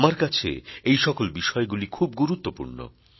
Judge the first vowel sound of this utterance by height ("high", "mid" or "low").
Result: low